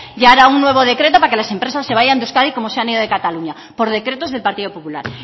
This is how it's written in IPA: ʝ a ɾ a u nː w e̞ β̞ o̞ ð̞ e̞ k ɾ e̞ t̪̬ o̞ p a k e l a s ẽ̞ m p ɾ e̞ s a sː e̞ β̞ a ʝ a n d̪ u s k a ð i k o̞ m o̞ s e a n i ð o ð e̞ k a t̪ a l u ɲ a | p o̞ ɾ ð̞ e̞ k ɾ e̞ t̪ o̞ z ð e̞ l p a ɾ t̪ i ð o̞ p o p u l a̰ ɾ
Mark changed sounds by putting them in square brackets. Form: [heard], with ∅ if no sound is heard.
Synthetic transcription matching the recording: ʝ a ɾ a u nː w e̞ β̞ o̞ ð̞ e̞ k ɾ e̞ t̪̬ o̞ p a k e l a s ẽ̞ m p ɾ e̞ s a sː e̞ β̞ a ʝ a n d̪ u s k a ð i k o̞ m o̞ s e a n i ð o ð e̞ k a t̪ a l u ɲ a | p o̞ ɾ ð̞ e̞ k ɾ e̞ t̪ o̞ z ð e̞ l p a ɾ t̪ i ð o̞ p o p u l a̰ ɾ

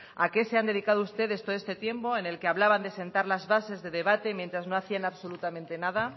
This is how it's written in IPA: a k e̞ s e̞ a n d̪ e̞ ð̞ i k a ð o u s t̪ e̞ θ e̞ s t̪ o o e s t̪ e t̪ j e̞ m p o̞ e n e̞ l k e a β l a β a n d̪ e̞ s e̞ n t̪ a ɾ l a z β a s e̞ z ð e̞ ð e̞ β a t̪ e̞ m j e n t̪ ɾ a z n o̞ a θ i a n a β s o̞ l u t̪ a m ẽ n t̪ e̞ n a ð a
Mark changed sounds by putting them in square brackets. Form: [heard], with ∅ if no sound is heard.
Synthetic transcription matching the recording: a k e̞ s e̞ a n d̪ e̞ ð̞ i k a ð o u s t̪ e̞ [ð] e̞ s t̪ o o e s t̪ e t̪ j e̞ m p o̞ e n e̞ l k e a β l a β a n d̪ e̞ s e̞ n t̪ a ɾ l a z β a s e̞ z ð e̞ ð e̞ β a t̪ e̞ m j e n t̪ ɾ a z n o̞ a θ i a n a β s o̞ l u t̪ a m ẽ n t̪ e̞ n a ð a

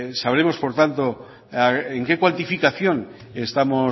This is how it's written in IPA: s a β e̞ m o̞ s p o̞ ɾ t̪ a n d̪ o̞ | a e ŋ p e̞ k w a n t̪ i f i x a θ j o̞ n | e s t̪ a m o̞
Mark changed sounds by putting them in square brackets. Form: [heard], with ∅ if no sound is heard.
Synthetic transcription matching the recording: s a β e̞ m o̞ s p o̞ ɾ t̪ a n [t̪] o̞ | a e ŋ [k] e̞ k w a n t̪ i f i [k] a θ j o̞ n | e s t̪ a m o̞

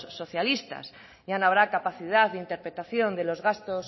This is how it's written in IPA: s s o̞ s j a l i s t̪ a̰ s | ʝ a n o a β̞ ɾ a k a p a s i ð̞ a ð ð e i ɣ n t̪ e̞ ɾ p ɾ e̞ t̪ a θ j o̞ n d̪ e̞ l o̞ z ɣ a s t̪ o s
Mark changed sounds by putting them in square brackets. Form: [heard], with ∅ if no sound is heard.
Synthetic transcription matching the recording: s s o̞ [θ] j a l i s t̪ a̰ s | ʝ a n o a β̞ ɾ a k a p a [θ] i ð̞ a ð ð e i [∅] n t̪ e̞ ɾ p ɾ e̞ t̪ a θ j o̞ n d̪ e̞ l o̞ z ɣ a s t̪ o s

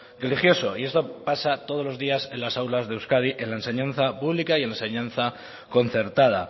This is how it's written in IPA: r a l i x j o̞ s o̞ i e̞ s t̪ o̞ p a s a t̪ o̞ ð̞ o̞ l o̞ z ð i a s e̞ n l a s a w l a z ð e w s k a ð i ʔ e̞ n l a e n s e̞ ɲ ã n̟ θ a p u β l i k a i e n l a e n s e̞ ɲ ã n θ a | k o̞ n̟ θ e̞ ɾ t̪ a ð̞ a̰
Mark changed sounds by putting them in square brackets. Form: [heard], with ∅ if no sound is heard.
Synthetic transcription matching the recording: r [e] l i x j o̞ s o̞ i e̞ s t̪ o̞ p a s a t̪ o̞ ð̞ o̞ l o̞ z ð i a s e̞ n l a s a w l a z ð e w s k a ð i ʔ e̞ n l a e n s e̞ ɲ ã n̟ θ a p u β l i k a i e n l a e n s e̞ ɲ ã n θ a | k o̞ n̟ θ e̞ ɾ t̪ a ð̞ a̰

